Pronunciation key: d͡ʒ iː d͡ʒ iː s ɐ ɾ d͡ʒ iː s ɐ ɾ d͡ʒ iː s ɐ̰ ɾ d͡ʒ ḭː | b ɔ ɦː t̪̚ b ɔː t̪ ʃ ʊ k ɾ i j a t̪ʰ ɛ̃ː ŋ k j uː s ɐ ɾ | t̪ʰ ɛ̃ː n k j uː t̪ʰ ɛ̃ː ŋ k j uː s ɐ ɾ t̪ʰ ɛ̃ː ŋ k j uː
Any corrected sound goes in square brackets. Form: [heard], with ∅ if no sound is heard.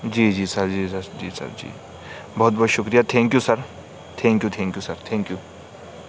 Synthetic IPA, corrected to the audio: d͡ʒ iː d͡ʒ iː s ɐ ɾ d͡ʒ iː s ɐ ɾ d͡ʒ iː s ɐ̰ ɾ d͡ʒ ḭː | b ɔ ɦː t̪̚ b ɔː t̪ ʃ ʊ k ɾ i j a t̪ʰ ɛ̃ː ŋ k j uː s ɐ ɾ | t̪ʰ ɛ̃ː [ŋ] k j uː t̪ʰ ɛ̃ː ŋ k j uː s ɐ ɾ t̪ʰ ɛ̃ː ŋ k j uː

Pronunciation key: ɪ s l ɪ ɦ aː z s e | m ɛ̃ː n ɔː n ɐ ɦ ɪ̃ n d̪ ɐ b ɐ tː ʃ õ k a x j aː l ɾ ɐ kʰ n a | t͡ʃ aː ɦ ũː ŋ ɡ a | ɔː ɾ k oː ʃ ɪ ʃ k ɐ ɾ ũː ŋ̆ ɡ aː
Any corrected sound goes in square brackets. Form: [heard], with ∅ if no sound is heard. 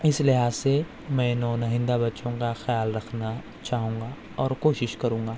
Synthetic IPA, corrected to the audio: ɪ s l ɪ ɦ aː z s e | m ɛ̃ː n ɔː n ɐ ɦ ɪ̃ n d̪ [a] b ɐ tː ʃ õ k a x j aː l ɾ ɐ kʰ n a | t͡ʃ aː ɦ ũː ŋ ɡ a | ɔː ɾ k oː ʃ ɪ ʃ k ɐ ɾ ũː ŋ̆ ɡ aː

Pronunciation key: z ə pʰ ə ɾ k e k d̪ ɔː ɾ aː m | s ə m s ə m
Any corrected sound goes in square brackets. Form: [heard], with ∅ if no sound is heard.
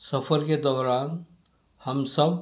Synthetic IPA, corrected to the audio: [s] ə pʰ ə ɾ k e [∅] d̪ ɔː ɾ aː [n] | [h] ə m s ə [b]

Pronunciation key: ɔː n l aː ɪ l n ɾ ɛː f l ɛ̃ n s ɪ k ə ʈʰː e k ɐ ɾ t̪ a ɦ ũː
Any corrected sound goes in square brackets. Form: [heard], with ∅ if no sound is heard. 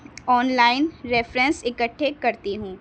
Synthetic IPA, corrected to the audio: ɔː n l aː ɪ [∅] n ɾ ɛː f [ɾ] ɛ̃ n s ɪ k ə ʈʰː e k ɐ ɾ t̪ [i] ɦ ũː

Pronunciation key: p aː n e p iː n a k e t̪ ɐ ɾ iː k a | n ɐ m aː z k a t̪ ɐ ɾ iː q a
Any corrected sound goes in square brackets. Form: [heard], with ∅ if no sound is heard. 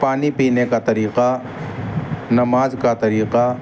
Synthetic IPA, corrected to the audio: p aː n [i] p iː n [e] k [a] t̪ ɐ ɾ iː [q] a | n ɐ m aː z k a t̪ ɐ ɾ iː q a

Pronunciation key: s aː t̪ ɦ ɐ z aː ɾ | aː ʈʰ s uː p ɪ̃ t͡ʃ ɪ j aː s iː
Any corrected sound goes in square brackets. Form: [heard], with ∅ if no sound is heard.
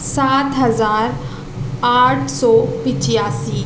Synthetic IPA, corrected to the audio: s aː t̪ ɦ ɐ z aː ɾ | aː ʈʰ s [ɔː] p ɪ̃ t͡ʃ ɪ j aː s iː

